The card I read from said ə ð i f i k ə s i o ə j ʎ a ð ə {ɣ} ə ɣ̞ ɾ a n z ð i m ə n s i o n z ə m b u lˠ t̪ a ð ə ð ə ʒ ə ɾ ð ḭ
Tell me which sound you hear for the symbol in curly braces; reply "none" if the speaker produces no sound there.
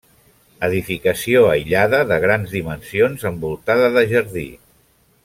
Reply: ð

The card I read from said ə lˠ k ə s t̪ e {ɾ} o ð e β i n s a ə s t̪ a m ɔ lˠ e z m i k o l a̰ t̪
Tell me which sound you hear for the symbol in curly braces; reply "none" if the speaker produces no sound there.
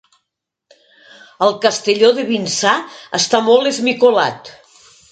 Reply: ʎ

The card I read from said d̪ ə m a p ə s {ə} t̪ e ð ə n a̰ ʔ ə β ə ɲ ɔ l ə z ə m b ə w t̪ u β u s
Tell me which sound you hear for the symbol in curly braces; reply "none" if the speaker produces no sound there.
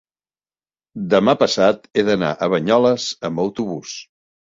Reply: a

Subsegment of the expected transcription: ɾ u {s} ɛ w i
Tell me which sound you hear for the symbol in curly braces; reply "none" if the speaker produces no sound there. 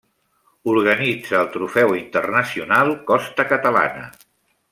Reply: f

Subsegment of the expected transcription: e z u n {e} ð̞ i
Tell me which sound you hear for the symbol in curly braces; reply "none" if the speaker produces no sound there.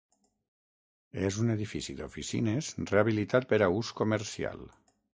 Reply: e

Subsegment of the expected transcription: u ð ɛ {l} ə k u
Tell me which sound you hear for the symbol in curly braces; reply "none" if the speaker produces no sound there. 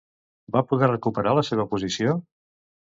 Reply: r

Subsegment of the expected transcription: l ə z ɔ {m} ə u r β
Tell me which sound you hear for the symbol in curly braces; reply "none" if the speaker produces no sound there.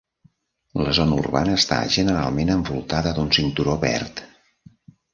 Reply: n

